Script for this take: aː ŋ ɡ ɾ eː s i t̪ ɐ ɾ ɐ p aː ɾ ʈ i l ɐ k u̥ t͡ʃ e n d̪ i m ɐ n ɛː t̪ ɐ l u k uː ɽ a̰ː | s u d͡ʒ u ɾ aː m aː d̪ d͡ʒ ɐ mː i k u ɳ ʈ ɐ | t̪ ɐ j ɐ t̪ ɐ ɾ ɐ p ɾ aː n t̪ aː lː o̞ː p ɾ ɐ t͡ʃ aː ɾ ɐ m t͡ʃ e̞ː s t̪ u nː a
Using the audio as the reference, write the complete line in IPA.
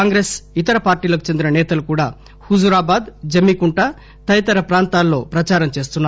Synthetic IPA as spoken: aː ŋ ɡ ɾ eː s i t̪ ɐ ɾ ɐ p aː ɾ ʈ iː l ɐ k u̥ t͡ʃ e n d̪ i n ɐ n ɛː t̪ ɐ l u k uː ɽ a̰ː | h u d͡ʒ u ɾ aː b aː d̪ d͡ʒ ɐ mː i k u ɳ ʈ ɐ | t̪ ɐ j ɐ t̪ ɐ ɾ ɐ p ɾ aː n t̪ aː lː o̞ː p ɾ ɐ t͡ʃ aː ɾ ɐ m t͡ʃ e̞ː s t̪ u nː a